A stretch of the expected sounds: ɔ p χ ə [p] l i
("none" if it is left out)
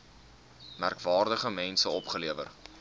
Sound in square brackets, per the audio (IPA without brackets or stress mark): none